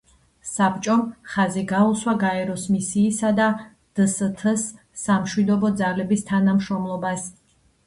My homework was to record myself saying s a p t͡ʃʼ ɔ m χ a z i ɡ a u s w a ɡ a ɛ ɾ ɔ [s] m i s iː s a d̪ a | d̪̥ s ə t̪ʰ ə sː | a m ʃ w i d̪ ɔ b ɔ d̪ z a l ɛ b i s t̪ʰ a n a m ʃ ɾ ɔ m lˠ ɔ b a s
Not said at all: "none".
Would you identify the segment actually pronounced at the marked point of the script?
s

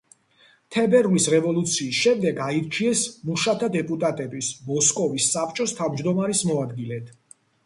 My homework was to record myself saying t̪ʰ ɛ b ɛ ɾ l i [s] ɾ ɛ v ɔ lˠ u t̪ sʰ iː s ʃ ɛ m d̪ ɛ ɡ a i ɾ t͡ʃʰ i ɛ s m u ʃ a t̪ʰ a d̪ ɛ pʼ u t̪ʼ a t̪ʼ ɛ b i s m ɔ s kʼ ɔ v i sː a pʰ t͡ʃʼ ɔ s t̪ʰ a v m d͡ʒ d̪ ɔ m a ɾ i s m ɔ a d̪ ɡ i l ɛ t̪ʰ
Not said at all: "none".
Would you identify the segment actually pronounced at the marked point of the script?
s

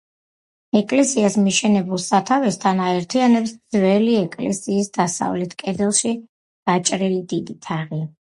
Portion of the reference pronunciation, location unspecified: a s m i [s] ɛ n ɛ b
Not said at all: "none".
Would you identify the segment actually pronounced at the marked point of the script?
ʃ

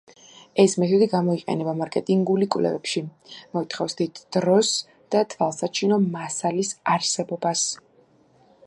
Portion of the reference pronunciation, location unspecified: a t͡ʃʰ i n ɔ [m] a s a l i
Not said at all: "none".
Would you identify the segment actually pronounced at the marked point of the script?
m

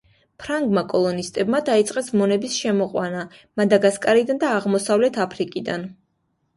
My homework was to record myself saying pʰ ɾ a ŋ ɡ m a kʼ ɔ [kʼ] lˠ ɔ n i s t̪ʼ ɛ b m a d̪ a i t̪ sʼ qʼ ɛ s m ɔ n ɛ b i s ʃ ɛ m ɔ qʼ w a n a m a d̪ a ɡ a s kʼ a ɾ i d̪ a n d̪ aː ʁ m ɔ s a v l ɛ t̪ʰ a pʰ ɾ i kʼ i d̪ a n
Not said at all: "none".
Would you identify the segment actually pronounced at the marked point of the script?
none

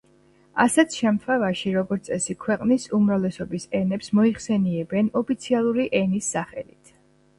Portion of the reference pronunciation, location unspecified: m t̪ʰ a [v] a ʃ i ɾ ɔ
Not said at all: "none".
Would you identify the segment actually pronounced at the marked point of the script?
v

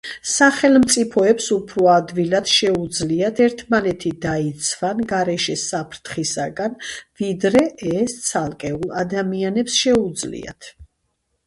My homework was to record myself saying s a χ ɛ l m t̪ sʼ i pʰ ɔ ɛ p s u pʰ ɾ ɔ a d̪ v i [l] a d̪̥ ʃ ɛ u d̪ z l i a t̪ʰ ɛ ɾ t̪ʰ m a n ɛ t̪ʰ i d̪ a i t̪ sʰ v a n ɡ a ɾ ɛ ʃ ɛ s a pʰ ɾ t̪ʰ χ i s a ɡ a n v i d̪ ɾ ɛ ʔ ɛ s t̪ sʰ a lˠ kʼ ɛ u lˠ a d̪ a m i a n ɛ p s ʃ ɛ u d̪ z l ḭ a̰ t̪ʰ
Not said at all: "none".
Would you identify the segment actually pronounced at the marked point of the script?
l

